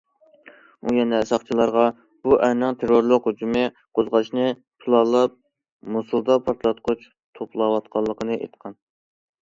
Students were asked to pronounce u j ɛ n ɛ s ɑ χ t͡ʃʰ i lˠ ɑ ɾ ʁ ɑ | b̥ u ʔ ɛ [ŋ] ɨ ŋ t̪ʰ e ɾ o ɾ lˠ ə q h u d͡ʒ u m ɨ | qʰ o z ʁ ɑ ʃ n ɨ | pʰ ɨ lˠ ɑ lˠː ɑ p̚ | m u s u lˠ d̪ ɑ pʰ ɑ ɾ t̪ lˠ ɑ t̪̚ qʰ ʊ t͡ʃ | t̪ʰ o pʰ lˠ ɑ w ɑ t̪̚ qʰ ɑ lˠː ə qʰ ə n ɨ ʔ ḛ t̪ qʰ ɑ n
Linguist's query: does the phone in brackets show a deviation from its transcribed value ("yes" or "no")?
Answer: yes